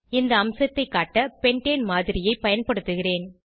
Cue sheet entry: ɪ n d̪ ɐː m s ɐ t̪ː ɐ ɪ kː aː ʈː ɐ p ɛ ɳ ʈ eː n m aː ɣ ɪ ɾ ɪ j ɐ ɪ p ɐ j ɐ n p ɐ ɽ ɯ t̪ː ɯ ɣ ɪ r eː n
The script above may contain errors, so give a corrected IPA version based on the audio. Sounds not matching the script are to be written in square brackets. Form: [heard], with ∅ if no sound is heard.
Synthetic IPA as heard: ɪ n d̪ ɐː m s ɐ t̪ː ɐ ɪ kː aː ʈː ɐ p ɛ ɳ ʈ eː n m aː [ð] ɪ ɾ ɪ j ɐ ɪ p ɐ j ɐ n p ɐ ɽ ɯ t̪ː ɯ ɣ ɪ r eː n